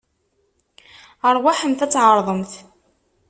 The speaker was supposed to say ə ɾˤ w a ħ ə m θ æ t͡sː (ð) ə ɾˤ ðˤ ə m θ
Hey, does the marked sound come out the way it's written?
no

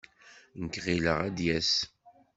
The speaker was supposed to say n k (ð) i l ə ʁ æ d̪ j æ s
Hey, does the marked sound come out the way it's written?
no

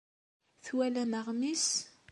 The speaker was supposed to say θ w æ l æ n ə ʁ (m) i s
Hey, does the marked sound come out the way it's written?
yes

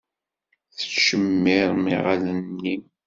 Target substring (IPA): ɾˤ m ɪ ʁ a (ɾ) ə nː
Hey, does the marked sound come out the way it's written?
no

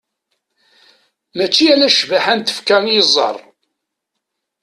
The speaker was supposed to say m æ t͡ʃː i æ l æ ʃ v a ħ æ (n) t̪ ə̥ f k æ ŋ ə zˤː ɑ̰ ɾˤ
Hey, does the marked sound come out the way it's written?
yes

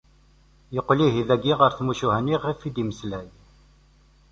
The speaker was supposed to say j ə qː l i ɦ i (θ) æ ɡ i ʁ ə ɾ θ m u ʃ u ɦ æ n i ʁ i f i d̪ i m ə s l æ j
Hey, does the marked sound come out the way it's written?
no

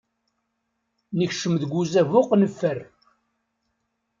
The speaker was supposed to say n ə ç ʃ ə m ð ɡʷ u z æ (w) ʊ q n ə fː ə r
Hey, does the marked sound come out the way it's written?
no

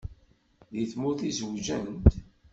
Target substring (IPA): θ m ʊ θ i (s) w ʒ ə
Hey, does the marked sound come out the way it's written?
no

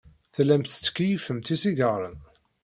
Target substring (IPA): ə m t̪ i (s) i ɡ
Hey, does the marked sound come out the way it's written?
yes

